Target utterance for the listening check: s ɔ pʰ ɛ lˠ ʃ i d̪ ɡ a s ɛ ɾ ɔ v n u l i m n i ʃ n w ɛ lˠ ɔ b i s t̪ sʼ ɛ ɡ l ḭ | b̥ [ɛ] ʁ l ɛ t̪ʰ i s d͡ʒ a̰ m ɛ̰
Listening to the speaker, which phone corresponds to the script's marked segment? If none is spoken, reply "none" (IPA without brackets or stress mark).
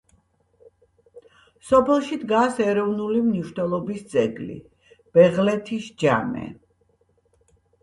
ɛ